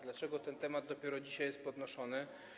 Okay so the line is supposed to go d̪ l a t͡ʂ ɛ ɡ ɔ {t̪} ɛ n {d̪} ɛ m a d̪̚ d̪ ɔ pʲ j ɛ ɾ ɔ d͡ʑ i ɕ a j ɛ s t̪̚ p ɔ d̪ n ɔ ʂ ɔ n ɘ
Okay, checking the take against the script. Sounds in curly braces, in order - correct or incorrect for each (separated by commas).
correct, incorrect